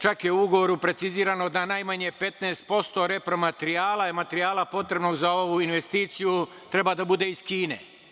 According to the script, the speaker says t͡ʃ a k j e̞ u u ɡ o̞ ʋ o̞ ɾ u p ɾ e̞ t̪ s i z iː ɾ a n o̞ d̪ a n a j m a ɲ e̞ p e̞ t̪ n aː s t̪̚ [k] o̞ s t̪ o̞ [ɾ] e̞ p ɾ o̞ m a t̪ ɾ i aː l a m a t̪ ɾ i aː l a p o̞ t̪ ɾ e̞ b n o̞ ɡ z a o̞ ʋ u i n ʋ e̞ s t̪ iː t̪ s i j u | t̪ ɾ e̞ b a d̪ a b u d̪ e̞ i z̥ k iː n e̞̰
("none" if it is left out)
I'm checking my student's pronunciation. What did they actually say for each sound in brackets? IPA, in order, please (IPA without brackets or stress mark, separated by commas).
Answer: p, ɾ